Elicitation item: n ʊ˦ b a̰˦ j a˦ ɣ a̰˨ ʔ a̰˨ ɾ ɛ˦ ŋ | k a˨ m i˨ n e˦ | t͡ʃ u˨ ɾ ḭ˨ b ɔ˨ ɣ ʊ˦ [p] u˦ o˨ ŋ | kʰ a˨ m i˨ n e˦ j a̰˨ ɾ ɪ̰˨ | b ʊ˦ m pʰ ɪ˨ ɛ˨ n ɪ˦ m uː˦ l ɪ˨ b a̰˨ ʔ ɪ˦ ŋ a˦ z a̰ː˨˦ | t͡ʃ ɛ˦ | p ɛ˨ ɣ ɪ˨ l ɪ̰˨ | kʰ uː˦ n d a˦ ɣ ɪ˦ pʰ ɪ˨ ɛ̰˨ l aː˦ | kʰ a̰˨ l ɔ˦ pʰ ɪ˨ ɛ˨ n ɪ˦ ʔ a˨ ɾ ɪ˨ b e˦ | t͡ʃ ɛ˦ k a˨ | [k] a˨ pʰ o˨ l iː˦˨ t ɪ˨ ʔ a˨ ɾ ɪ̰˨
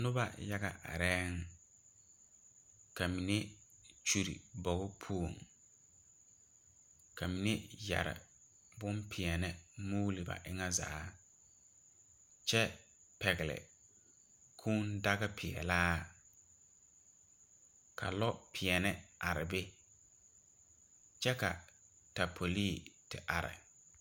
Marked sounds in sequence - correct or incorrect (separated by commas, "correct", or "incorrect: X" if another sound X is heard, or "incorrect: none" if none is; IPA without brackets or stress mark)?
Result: incorrect: pʰ, incorrect: t